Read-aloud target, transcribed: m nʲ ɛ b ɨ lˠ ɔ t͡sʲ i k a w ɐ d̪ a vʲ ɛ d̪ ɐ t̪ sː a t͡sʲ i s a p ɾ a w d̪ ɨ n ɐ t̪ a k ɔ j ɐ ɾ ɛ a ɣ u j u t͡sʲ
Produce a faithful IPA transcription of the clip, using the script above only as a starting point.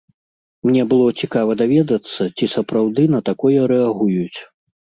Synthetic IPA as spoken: m nʲ ɛ b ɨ lˠ ɔ t͡sʲ i k a v ɐ d̪ a vʲ ɛ d̪ ɐ t̪ sː ɐ t͡sʲ i s ɐ p ɾ a w d̪ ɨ n ɐ t̪ a k ɔ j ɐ ɾ ɛ a ɣ u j u t͡sʲ